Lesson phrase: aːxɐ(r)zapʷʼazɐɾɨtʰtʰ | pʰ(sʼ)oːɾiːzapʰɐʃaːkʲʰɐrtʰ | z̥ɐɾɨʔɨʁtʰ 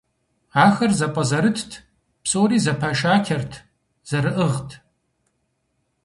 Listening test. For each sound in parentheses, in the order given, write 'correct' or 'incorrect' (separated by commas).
correct, correct